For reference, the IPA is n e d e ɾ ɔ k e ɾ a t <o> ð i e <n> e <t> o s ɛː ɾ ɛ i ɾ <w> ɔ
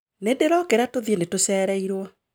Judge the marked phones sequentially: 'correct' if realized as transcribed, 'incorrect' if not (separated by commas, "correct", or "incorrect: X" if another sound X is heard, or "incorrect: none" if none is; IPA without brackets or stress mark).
correct, correct, correct, correct